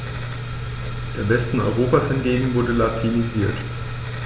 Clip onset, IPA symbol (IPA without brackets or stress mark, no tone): d̥